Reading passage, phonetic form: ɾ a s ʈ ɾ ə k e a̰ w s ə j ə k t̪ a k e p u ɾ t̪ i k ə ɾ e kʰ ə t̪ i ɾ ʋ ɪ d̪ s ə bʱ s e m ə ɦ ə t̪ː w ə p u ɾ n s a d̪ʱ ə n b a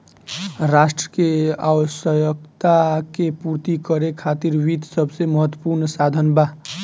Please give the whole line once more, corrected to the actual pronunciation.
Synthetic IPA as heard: ɾ a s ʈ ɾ ə k e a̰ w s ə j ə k t̪ a k e p u ɾ t̪ i k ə ɾ e kʰ a t̪ i ɾ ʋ i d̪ s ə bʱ s e m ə ɦ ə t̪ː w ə p u ɾ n s a d̪ʱ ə n b a